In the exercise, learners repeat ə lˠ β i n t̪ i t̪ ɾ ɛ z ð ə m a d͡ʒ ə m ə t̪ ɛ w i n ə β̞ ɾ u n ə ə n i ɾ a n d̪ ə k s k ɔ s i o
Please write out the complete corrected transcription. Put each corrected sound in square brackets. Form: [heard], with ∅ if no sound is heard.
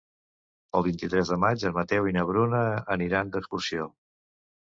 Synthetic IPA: ə lˠ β i n t̪ i t̪ ɾ ɛ z ð ə m a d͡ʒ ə m ə t̪ ɛ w i n ə β̞ ɾ u n ə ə n i ɾ a n d̪ ə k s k [u] s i o

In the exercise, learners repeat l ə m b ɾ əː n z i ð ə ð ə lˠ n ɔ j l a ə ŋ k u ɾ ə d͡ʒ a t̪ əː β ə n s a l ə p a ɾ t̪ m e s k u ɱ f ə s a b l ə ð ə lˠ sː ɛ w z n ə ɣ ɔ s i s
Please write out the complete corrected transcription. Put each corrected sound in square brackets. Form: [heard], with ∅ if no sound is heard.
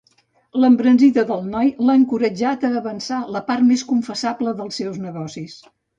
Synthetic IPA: l ə m b ɾ [ə] n z i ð ə ð ə lˠ n ɔ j l a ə ŋ k u ɾ ə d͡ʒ a t̪ əː β ə n s a l ə p a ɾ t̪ m e s k u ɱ f ə s a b l ə ð ə lˠ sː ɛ w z n ə ɣ ɔ s i s

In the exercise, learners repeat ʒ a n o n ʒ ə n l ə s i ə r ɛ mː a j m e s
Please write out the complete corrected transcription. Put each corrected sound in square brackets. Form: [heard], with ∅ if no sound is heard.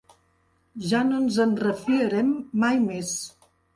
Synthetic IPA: ʒ a n o n [z] ə n [r] ə [f] i ə [ɾ] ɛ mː a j m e s

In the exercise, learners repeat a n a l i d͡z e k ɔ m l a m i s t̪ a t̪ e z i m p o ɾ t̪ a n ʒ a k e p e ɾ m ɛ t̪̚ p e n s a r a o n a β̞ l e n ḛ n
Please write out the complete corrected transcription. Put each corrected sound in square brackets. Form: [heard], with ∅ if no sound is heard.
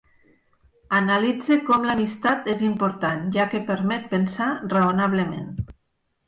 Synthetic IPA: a n a l i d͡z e k ɔ m l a m i s t̪ a t̪ e z i m p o ɾ t̪ a n ʒ a k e p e ɾ m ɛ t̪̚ p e n s a r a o n a β̞ l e [m] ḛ n

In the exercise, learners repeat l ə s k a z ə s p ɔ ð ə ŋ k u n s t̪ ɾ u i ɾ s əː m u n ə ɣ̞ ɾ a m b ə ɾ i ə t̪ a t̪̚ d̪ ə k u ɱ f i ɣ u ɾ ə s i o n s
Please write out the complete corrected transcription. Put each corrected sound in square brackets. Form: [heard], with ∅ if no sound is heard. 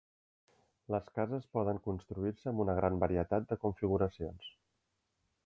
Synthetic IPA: l ə s k a z ə s p ɔ ð ə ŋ k u n s t̪ ɾ u i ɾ s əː m u n ə ɣ̞ ɾ a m b ə ɾ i ə t̪ a t̪̚ d̪ ə k u ɱ f i ɣ u ɾ ə s i o n s

